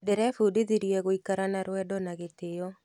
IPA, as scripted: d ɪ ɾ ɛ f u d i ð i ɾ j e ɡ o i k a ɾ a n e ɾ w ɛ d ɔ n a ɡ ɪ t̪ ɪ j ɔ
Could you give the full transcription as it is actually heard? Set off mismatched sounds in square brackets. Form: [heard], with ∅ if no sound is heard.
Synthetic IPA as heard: d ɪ ɾ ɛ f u d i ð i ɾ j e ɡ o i k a ɾ a n [a] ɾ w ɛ d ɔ n a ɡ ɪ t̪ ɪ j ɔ